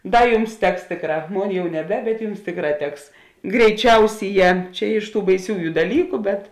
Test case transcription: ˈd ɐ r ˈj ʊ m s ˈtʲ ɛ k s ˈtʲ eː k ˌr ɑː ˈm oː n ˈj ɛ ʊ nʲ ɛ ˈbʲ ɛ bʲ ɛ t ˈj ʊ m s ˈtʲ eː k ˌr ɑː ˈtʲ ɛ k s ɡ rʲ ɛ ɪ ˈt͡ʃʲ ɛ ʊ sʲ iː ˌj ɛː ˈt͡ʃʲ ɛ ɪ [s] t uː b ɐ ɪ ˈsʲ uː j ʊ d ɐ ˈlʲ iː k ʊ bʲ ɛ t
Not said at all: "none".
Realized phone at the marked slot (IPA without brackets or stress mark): ʃ